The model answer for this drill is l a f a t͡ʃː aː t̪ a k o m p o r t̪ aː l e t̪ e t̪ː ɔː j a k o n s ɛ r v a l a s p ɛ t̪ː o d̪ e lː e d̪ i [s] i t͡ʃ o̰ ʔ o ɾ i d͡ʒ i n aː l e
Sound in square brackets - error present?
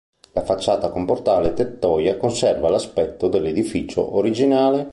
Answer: yes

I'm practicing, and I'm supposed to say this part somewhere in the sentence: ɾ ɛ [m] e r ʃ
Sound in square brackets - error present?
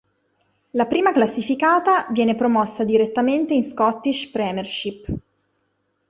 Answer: no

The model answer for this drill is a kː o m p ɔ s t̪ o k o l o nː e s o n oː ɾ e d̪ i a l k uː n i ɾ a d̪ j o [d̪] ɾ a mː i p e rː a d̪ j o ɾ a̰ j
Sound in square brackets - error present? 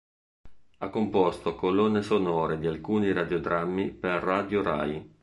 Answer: no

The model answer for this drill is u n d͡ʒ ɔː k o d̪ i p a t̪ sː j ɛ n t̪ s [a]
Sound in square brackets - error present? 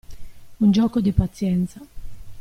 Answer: no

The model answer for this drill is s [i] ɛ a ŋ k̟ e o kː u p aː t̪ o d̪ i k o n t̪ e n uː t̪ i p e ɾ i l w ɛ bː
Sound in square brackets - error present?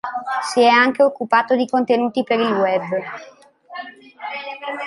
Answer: no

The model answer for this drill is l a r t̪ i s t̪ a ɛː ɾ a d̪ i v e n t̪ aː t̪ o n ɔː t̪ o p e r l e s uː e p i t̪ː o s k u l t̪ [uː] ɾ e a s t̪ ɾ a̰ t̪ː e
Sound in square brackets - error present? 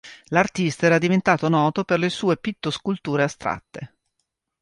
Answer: no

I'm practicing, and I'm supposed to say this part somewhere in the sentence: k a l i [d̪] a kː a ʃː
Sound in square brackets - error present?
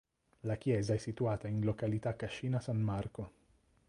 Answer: yes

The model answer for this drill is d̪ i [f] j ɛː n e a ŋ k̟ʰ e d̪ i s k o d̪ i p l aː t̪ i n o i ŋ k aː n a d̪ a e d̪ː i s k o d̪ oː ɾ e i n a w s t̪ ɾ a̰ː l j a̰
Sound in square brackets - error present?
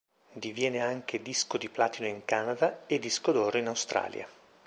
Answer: yes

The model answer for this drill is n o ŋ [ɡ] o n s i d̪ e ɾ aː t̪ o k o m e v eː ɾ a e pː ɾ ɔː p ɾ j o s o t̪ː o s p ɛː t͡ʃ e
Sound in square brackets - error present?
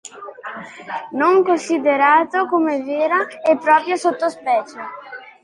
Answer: yes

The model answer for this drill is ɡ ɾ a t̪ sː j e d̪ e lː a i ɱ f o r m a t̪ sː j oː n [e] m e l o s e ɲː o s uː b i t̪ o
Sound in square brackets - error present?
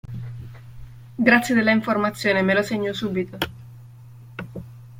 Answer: no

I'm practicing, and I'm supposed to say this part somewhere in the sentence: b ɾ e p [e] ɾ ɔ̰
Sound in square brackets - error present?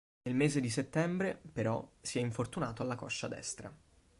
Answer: no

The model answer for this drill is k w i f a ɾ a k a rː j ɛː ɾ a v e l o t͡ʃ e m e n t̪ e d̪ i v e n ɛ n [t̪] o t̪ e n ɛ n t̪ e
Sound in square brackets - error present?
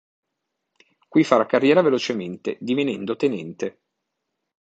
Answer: yes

